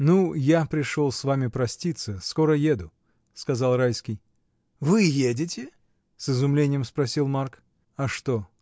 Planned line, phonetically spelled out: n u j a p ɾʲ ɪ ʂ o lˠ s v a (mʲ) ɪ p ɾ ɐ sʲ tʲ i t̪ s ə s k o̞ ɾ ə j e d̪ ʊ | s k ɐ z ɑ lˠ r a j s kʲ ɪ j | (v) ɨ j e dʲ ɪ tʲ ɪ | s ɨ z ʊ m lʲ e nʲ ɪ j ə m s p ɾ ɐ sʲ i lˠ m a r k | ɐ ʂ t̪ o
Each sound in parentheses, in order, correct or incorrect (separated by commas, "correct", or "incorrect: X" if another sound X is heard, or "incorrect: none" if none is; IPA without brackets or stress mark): correct, correct